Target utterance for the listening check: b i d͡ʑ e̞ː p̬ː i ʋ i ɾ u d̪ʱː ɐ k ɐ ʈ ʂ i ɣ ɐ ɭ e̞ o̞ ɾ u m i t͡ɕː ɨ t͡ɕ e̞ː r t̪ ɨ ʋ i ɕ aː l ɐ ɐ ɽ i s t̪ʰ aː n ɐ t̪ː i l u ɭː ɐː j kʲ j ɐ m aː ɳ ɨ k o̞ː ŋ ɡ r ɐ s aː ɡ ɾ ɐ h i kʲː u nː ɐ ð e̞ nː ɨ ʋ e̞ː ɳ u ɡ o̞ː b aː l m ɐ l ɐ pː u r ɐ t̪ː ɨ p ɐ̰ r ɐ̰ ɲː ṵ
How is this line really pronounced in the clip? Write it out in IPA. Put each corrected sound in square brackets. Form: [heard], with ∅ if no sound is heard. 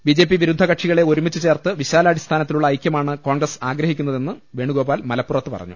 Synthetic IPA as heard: b i d͡ʑ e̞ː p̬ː i ʋ i ɾ u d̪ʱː ɐ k ɐ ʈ ʂ i ɣ ɐ ɭ e̞ o̞ ɾ u m i t͡ɕː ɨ t͡ɕ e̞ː r t̪ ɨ ʋ i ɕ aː l ɐ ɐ ɽ i s t̪ʰ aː n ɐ t̪ː i l u ɭː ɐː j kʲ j ɐ m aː ɳ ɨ k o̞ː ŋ ɡ r ɐ s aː ɡ ɾ ɐ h i kʲː u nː ɐ ð e̞ nː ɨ ʋ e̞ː ɳ u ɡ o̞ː b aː l m ɐ l ɐ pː u r ɐ t̪ː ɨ p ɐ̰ r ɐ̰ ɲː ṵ

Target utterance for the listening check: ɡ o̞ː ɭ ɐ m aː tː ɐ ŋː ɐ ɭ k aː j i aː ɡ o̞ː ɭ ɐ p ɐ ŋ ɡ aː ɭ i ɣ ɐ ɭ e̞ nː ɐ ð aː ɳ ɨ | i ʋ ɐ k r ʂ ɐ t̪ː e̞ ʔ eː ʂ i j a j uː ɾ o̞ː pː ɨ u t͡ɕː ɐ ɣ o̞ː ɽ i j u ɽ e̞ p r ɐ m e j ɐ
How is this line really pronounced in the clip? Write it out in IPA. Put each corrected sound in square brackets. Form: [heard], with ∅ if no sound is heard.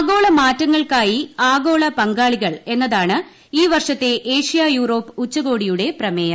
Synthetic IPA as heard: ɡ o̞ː ɭ ɐ m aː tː ɐ ŋː ɐ ɭ k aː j i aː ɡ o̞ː ɭ ɐ p ɐ ŋ ɡ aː ɭ i ɣ ɐ ɭ e̞ nː ɐ ð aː ɳ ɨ | [iː] ʋ ɐ [∅] r ʂ ɐ t̪ː e̞ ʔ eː ʂ i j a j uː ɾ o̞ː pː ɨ u t͡ɕː ɐ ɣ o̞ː ɽ i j u ɽ e̞ p r ɐ m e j ɐ

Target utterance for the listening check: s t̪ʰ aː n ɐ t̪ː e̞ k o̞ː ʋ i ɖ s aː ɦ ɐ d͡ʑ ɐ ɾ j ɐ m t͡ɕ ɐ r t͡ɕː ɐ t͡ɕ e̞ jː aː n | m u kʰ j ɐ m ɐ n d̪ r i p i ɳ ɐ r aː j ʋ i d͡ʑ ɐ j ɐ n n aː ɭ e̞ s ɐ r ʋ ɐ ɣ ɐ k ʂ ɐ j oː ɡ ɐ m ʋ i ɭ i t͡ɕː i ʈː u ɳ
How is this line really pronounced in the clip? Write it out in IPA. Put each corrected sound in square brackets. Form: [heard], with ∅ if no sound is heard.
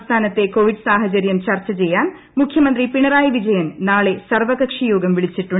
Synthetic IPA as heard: s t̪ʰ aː n ɐ t̪ː e̞ k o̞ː ʋ i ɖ s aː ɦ ɐ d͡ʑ ɐ ɾ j ɐ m t͡ɕ ɐ r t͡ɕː ɐ t͡ɕ e̞ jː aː n | m u kʰ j ɐ m ɐ n d̪ r i p i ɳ ɐ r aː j ʋ i d͡ʑ ɐ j ɐ n n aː ɭ e̞ s ɐ r ʋ ɐ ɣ ɐ k ʂ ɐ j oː ɡ ɐ m ʋ i ɭ i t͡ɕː i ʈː u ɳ

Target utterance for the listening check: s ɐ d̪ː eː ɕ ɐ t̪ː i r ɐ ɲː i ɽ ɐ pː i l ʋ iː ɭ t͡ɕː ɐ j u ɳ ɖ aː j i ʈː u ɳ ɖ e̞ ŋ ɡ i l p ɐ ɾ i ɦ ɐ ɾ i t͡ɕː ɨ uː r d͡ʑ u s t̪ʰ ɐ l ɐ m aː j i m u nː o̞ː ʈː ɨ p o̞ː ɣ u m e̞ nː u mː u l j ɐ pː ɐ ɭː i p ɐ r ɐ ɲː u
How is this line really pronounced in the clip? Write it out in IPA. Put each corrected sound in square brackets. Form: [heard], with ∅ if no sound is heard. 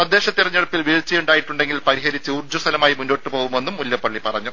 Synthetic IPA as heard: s ɐ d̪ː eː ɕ ɐ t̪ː i r ɐ ɲː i ɽ ɐ pː i l ʋ iː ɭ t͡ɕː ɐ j u ɳ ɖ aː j i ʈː u ɳ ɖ e̞ ŋ ɡ i l p ɐ ɾ i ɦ ɐ ɾ i t͡ɕː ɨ uː r d͡ʑ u s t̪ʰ ɐ l ɐ m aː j i m u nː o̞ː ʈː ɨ p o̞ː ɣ u m e̞ nː u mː u l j ɐ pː ɐ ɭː i p ɐ r ɐ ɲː u

